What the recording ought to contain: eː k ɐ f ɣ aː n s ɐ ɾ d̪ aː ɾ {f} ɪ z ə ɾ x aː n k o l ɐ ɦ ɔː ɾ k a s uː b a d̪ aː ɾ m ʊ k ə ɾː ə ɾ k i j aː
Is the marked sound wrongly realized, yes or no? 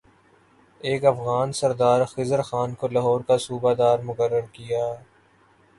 yes